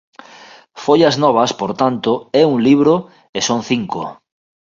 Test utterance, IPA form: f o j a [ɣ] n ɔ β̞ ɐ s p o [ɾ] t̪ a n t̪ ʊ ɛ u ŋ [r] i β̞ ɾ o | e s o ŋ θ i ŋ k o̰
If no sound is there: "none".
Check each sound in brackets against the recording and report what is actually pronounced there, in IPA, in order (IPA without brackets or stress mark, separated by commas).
z, ɾ, l